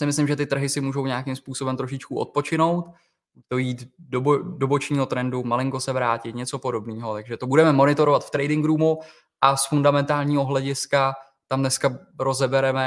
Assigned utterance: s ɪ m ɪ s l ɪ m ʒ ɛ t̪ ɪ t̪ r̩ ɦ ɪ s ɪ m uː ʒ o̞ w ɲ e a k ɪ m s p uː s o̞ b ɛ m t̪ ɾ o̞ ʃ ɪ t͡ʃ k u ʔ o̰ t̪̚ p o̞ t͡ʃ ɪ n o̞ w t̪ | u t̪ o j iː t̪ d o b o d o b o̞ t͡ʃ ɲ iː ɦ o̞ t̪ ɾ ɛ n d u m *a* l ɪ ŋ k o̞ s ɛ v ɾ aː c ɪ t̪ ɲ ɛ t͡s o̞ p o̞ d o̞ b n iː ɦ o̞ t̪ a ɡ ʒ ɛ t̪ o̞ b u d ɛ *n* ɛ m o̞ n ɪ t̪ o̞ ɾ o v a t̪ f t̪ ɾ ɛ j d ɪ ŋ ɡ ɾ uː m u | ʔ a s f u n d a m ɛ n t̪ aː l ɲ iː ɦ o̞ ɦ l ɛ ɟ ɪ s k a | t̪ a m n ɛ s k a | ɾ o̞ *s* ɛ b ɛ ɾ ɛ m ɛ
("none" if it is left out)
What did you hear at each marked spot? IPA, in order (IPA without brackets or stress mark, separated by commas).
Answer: a, m, z